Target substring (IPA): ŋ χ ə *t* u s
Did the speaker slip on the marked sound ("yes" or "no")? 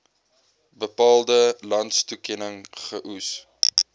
yes